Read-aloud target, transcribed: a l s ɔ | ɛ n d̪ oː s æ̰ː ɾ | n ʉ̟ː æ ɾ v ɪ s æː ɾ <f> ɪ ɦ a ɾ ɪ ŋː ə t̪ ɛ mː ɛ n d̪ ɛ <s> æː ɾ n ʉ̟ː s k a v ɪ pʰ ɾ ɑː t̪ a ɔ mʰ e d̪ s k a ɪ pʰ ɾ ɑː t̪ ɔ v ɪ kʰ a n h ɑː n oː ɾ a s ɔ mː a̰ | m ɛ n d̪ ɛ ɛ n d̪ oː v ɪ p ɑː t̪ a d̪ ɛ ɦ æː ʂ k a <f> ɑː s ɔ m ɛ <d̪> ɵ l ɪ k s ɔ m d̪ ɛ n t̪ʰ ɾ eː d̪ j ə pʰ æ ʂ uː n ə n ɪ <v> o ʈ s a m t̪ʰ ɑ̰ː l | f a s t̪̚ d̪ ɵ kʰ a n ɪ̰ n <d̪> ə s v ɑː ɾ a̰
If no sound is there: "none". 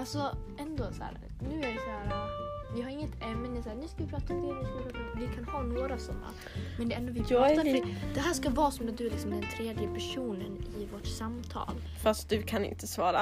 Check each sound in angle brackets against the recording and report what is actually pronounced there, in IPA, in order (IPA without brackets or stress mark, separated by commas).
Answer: v, s, v, d̪, v, t̪